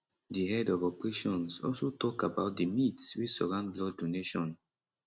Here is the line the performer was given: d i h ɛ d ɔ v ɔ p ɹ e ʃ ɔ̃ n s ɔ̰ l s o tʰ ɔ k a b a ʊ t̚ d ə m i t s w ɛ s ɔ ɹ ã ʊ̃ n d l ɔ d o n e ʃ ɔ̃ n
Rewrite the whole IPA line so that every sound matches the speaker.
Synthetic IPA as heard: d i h ɛ d ɔ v ɔ p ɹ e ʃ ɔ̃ n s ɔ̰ l s o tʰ ɔ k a b a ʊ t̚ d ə m i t s w i s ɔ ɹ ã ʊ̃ n d l ɔ d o n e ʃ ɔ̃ n